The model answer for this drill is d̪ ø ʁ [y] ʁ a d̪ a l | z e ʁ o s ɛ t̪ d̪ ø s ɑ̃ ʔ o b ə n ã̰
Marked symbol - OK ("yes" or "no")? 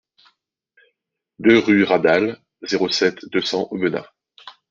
yes